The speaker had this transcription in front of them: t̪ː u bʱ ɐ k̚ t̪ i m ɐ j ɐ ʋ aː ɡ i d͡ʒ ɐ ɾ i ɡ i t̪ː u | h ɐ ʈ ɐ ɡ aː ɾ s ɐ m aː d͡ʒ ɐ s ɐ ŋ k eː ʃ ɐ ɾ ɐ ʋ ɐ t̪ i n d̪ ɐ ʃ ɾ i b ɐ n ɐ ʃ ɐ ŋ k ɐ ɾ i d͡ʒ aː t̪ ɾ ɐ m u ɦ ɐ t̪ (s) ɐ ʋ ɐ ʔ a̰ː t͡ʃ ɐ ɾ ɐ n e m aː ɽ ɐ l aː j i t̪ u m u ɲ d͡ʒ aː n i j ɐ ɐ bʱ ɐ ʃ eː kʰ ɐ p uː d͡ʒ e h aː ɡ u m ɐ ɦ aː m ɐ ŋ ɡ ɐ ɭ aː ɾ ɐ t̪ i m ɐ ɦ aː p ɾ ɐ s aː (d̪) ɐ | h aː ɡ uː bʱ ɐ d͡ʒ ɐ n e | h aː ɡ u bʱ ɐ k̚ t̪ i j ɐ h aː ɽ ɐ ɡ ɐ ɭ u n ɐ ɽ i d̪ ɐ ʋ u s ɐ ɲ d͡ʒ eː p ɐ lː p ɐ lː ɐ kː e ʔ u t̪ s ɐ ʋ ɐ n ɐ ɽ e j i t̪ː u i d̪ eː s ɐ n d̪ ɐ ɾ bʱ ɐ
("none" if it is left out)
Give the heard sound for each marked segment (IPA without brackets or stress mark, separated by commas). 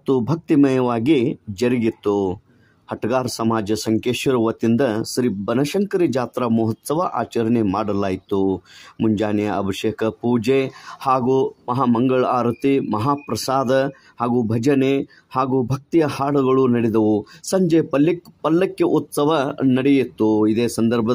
s, d̪